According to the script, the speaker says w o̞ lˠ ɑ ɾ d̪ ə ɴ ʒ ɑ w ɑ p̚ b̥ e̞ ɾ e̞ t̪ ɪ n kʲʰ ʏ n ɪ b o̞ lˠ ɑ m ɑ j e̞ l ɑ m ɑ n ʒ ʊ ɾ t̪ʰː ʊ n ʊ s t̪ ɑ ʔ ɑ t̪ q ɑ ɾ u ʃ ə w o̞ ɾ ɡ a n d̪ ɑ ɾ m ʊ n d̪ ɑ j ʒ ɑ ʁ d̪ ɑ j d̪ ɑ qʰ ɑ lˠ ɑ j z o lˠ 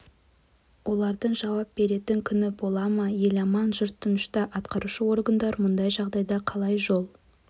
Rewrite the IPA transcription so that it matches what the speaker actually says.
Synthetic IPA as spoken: w o̞ lˠ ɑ ɾ d̪ ə ɴ ʒ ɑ w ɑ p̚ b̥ e̞ ɾ e̞ t̪ ɪ ŋ kʲʰ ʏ n ɪ b o̞ lˠ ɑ m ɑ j e̞ l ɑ m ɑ n ʒ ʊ ɾ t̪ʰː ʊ n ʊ ʃ t̪ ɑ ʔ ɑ t̪ q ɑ ɾ u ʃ ə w o̞ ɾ ɡ ə n d̪ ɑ ɾ m ʊ n d̪ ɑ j ʒ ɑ ʁ d̪ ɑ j d̪ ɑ qʰ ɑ lˠ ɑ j ʒ o lˠ